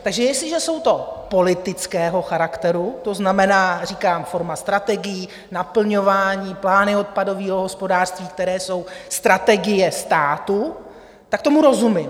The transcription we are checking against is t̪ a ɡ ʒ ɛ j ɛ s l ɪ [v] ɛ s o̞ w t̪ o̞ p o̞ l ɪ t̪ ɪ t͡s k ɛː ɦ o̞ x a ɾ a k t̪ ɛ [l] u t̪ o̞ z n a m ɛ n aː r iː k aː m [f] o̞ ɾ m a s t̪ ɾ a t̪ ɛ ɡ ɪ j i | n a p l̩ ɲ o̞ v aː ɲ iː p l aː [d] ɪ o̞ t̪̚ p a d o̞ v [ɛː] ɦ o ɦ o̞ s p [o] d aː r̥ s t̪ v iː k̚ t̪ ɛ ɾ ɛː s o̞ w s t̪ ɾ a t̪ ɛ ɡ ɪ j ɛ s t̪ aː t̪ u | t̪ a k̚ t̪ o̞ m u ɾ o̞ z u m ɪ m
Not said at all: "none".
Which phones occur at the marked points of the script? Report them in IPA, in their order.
ʒ, ɾ, f, n, iː, o

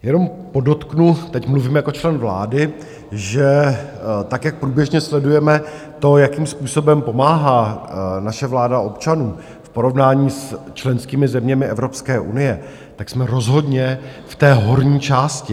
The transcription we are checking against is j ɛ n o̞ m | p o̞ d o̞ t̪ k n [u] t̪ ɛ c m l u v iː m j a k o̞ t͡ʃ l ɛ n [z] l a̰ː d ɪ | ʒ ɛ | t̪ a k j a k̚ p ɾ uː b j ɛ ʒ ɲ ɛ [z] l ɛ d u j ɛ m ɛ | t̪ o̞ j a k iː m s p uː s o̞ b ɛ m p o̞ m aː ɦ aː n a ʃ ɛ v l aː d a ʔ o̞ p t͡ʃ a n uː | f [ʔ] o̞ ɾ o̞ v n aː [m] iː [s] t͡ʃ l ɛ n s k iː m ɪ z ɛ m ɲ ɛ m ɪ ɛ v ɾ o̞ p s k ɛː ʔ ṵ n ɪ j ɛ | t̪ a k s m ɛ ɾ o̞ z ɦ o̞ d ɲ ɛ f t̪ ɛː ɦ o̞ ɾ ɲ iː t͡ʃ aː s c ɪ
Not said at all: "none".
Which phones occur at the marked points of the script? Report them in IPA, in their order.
u, v, s, p, ɲ, s

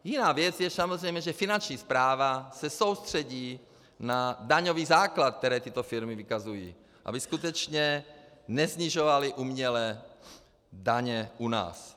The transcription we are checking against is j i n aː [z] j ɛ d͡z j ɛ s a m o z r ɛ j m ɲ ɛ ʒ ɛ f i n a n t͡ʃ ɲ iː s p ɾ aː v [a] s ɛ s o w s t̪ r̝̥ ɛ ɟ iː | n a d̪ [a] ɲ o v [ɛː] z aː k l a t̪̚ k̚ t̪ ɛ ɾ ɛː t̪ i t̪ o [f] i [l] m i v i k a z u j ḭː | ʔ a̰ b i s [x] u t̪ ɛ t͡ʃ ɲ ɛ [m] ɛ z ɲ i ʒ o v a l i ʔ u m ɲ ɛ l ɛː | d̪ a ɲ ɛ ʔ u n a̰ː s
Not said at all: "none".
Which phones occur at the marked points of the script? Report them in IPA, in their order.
v, a, a, iː, f, ɾ, k, n

